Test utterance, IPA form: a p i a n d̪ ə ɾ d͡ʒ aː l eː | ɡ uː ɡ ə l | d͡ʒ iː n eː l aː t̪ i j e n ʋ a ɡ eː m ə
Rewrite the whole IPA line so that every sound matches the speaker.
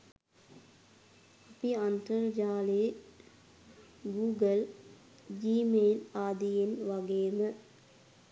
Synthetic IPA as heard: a p i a n t̪ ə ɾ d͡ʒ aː l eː | ɡ uː ɡ ə l | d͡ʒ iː m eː l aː d̪ i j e n ʋ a ɡ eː m ə